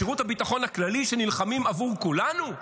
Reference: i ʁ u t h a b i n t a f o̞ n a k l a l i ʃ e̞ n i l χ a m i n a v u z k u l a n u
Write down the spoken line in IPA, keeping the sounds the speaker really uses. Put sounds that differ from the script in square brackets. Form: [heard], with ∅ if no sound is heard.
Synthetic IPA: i ʁ u t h a b i [∅] t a [χ] o̞ n a k l a l i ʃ e̞ n i l χ a m i [m] a v u [ʁ] k u l a n u